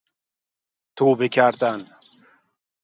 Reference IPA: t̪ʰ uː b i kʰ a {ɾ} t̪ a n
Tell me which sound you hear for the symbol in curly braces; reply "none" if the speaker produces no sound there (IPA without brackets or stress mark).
ɾ